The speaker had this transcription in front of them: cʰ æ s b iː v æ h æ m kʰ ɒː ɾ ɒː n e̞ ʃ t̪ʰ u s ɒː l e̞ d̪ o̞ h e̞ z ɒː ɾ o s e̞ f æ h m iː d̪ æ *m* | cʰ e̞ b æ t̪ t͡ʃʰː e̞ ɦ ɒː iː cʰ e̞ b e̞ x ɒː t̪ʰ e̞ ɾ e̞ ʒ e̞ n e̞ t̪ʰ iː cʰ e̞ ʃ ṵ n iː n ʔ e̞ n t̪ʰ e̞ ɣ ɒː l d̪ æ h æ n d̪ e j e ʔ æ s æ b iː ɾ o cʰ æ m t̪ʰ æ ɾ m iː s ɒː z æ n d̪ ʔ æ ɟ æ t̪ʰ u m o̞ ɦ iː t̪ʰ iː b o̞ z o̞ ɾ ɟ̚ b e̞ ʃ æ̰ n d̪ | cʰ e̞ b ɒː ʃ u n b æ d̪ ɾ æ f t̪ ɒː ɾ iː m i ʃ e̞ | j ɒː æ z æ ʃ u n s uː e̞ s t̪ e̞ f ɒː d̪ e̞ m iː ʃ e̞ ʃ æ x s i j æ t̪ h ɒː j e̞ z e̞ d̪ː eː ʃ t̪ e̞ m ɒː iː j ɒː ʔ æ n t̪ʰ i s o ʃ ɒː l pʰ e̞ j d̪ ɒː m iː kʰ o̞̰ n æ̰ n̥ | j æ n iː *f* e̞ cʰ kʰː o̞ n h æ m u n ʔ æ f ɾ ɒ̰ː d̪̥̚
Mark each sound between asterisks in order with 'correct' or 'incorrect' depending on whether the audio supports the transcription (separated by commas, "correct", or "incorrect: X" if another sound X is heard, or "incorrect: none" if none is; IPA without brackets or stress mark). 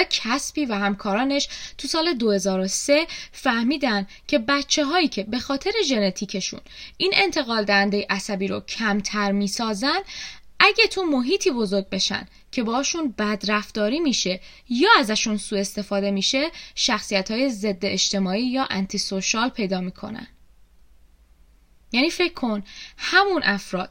incorrect: n, correct